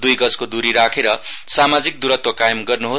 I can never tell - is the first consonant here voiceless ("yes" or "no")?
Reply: no